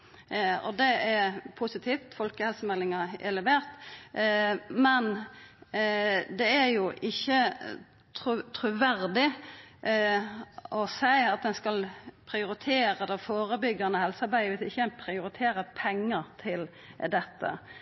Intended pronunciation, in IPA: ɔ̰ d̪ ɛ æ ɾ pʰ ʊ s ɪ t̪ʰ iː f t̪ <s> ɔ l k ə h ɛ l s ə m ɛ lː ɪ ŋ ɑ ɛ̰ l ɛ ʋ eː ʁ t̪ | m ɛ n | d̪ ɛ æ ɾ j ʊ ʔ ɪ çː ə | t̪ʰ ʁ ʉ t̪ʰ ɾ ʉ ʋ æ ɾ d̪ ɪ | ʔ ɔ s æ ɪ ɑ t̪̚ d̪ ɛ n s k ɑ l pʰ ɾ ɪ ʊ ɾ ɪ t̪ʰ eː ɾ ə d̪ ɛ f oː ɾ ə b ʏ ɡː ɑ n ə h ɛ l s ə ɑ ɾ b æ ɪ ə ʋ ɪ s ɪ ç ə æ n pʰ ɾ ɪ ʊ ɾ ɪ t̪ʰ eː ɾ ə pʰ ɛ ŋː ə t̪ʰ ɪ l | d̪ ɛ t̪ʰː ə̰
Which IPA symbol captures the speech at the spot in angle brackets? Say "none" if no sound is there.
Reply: f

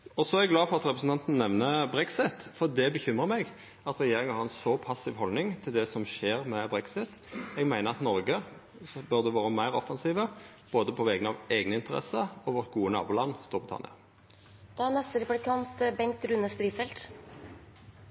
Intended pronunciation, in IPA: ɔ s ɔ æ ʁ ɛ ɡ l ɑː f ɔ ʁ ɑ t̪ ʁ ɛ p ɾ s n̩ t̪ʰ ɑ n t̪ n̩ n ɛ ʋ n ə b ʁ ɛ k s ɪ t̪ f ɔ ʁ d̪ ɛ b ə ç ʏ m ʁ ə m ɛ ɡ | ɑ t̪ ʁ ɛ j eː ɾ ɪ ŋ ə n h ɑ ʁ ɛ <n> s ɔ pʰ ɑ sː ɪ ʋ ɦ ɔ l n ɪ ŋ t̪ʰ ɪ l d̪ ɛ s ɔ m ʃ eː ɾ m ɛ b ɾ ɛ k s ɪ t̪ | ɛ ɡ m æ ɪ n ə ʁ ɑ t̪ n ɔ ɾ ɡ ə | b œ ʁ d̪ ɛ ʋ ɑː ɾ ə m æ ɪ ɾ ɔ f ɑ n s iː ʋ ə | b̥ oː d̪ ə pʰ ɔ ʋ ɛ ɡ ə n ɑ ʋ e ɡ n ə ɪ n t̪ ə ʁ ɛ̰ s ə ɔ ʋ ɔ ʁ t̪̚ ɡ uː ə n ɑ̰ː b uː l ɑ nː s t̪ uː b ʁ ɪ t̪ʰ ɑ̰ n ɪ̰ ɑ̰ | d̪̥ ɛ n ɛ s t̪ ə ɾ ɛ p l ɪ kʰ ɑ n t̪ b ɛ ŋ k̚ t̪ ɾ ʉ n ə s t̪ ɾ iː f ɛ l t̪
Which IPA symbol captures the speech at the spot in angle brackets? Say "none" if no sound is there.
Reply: n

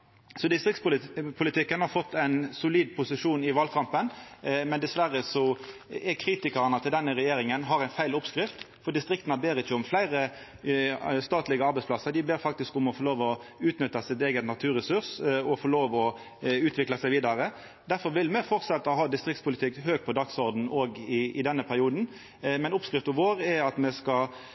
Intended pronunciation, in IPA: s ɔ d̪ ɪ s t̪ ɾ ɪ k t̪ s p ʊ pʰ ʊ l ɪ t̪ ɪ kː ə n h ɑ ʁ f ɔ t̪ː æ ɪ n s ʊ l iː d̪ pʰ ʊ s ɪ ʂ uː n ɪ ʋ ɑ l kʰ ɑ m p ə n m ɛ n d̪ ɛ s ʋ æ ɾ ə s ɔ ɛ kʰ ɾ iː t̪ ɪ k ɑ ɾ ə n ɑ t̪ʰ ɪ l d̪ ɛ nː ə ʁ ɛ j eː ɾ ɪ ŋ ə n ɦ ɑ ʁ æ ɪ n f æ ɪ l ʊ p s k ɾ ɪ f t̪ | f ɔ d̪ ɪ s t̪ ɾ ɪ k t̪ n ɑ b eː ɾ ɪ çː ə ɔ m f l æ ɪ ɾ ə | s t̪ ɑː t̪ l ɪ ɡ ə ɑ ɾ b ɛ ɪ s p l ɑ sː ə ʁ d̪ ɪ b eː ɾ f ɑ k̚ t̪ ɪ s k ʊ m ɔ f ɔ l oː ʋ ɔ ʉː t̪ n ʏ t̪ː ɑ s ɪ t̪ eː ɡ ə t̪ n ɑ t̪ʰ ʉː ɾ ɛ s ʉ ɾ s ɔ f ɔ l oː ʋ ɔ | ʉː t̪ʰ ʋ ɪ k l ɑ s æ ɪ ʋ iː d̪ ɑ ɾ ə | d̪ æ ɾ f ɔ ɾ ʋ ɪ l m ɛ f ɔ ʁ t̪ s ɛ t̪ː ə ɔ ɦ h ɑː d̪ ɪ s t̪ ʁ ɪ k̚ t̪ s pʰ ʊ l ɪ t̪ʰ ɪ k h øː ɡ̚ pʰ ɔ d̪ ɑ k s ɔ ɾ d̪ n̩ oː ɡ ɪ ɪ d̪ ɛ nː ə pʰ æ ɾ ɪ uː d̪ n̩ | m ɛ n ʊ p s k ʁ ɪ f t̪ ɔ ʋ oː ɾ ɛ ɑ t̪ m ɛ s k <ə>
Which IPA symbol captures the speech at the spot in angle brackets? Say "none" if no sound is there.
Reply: ɑ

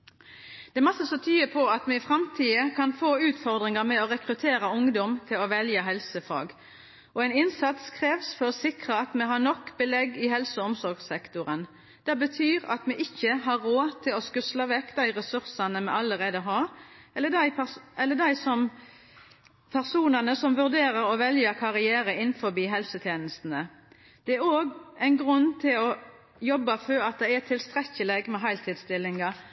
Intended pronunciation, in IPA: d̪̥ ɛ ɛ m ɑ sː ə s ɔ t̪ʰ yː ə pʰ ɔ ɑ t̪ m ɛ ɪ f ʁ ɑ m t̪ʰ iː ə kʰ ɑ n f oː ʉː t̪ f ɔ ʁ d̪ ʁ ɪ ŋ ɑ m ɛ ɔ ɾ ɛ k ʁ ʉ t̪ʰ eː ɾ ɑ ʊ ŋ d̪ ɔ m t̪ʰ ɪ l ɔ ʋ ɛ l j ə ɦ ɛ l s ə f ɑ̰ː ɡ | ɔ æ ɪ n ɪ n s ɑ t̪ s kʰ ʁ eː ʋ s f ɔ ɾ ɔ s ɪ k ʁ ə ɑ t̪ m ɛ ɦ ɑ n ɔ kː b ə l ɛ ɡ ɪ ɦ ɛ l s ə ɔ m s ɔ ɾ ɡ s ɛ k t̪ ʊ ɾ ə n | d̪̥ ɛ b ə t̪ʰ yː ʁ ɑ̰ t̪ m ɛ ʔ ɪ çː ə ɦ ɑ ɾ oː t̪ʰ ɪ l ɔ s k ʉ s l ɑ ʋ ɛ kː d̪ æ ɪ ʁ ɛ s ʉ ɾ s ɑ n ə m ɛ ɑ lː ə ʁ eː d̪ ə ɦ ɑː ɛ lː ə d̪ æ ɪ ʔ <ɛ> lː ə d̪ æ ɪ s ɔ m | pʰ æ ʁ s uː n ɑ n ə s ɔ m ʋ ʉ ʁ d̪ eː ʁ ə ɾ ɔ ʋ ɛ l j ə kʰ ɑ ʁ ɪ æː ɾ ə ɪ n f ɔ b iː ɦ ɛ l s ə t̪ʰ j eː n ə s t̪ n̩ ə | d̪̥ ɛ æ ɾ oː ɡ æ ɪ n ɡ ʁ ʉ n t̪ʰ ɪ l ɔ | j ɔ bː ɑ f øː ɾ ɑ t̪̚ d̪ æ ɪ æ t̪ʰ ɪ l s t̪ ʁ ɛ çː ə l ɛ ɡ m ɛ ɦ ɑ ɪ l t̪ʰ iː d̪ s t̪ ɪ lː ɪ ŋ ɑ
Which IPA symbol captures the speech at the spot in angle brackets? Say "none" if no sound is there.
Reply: ɛ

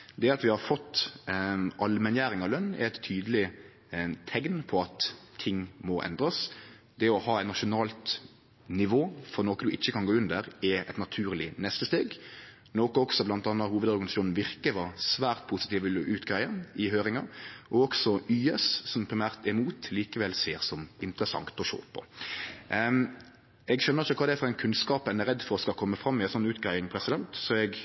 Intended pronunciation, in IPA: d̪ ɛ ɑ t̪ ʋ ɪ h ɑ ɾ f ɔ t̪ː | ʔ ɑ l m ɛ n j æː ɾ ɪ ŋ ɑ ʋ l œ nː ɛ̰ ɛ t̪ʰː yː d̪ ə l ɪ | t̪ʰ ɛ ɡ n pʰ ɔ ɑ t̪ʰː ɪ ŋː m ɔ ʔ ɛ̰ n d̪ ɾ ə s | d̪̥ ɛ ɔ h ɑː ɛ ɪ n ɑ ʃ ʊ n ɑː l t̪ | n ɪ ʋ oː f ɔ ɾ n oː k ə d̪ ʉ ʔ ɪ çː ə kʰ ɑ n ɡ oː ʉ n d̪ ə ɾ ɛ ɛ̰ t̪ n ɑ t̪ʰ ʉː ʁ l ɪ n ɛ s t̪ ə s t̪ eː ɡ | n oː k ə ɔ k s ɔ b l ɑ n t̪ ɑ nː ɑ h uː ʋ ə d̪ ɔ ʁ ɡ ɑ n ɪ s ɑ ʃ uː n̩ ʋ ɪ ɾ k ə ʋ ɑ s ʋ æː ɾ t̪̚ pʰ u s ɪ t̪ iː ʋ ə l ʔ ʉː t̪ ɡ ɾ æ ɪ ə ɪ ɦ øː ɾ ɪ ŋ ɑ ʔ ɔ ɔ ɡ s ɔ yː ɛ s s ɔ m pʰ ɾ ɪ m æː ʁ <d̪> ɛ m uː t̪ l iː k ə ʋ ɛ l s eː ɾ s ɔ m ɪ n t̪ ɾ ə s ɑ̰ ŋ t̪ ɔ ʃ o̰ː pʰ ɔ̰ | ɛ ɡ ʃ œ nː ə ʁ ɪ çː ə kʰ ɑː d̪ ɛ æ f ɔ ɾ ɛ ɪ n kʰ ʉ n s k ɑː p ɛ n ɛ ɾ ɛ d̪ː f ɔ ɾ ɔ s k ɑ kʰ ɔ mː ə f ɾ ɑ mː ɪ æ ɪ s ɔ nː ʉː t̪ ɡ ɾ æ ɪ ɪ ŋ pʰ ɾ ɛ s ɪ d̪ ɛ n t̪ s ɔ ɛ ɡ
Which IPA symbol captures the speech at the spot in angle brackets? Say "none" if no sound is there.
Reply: t̪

